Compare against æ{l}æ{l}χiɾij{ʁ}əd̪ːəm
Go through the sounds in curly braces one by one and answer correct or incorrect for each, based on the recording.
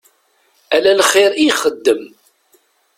correct, correct, incorrect

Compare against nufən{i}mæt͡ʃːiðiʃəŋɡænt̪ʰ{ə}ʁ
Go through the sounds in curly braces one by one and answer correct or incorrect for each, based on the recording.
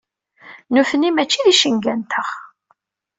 correct, correct

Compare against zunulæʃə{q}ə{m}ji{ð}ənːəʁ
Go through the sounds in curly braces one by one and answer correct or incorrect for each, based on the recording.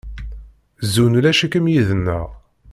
incorrect, correct, correct

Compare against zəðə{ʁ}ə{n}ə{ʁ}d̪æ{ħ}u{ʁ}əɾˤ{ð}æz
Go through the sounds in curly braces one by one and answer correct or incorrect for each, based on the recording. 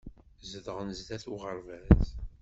correct, correct, incorrect, incorrect, correct, incorrect

